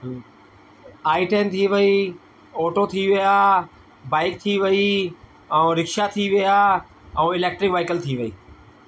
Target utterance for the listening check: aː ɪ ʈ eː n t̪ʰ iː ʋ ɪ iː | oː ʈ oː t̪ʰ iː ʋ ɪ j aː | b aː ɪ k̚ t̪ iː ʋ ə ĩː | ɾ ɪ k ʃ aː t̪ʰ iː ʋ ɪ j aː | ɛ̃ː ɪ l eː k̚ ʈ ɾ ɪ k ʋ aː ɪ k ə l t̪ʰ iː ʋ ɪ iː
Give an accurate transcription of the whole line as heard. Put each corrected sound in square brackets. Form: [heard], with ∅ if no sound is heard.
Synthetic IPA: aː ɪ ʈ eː n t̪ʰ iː ʋ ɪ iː | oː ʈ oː t̪ʰ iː ʋ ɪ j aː | b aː ɪ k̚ [t̪ʰ] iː ʋ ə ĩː | ɾ ɪ k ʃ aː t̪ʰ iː ʋ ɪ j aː | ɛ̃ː ɪ l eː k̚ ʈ ɾ ɪ k ʋ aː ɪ k ə l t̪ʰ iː ʋ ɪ iː